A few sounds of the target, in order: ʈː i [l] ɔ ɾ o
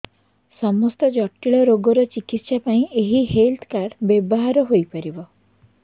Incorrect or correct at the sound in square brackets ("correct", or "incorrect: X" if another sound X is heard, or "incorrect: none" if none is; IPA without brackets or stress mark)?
incorrect: ɭ